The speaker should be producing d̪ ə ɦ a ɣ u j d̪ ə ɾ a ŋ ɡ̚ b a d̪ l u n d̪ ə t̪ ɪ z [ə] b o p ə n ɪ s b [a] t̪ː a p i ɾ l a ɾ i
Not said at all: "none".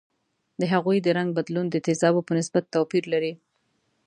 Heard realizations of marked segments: ɑ, a

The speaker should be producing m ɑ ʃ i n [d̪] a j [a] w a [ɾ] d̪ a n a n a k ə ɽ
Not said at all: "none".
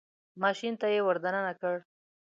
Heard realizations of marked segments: t̪, e, ɾ

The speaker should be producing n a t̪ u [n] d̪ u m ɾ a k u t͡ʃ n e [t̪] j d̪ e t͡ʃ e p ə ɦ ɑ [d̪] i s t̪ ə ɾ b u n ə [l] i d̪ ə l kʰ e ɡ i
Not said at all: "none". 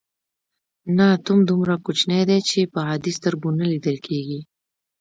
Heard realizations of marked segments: m, none, d̪, l

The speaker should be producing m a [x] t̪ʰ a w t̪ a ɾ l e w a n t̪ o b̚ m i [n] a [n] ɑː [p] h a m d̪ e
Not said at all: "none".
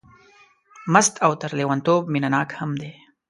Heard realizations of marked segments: s, n, n, k

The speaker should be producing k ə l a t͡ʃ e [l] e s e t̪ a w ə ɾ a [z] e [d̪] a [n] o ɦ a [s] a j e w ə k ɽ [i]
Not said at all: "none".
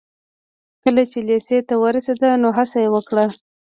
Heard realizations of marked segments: l, s, d̪, n, s, a

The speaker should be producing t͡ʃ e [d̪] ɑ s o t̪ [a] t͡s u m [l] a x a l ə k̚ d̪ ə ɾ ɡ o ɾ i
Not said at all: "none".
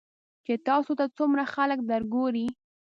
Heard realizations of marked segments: t̪, a, ɾ

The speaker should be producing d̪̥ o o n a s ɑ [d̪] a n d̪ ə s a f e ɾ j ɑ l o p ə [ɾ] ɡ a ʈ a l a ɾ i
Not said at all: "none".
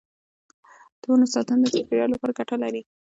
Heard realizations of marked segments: t̪, ɾ

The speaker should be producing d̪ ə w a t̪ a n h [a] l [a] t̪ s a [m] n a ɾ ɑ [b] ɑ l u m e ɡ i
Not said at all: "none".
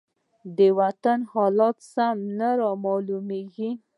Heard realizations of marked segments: ɑ, ɑ, m, m

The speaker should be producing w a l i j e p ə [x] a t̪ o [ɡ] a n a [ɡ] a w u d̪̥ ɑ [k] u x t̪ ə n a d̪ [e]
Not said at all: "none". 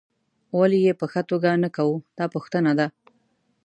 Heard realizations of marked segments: x, ɡ, k, p, a

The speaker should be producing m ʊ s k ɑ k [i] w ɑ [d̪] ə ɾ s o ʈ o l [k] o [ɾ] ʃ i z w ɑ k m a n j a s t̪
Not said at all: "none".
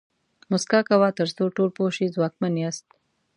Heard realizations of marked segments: a, t̪, p, none

